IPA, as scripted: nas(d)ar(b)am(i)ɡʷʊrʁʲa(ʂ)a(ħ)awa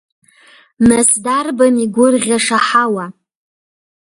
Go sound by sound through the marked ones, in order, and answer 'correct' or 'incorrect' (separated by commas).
correct, correct, correct, correct, correct